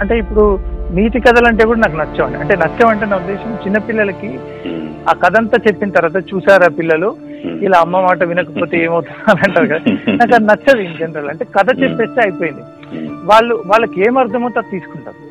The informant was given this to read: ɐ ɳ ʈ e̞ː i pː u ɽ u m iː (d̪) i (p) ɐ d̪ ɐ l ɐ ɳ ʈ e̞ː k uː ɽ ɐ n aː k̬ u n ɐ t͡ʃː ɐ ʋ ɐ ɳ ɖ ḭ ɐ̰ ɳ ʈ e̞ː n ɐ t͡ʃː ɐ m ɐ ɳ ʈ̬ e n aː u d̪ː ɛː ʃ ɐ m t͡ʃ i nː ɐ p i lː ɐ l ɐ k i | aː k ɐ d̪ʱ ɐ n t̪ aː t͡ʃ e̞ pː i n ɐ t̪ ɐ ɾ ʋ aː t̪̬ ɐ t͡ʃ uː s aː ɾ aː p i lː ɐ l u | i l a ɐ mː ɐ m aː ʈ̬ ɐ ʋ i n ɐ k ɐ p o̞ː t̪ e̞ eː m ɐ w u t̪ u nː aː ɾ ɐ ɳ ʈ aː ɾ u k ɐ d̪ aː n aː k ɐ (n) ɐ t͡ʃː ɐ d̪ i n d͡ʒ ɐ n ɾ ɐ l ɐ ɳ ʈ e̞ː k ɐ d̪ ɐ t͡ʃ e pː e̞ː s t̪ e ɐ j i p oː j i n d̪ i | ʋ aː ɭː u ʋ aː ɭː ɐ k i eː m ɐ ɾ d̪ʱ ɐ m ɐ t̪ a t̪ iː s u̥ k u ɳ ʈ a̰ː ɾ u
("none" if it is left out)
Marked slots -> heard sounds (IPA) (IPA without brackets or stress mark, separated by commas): t̪, k, n